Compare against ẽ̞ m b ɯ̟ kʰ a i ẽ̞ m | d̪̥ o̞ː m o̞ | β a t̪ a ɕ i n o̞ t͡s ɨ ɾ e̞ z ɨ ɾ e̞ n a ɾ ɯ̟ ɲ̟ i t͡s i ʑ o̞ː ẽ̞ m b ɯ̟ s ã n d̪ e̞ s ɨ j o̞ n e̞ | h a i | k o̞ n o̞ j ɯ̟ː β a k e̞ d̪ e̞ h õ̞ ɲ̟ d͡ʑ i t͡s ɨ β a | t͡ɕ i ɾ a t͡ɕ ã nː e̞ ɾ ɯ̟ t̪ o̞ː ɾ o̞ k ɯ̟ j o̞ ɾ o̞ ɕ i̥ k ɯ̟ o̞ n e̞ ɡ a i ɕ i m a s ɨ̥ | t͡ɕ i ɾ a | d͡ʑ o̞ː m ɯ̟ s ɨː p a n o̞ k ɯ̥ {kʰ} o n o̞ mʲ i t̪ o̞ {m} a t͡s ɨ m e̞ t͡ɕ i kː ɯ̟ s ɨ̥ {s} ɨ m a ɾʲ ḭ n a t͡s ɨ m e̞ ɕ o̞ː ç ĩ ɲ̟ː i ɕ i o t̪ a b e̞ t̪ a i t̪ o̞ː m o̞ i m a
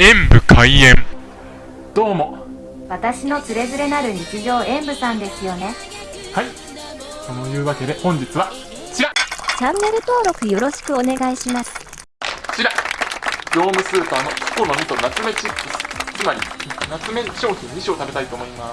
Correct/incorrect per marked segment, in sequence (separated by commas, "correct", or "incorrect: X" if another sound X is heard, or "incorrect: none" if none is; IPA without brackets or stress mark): incorrect: k, incorrect: n, incorrect: t͡s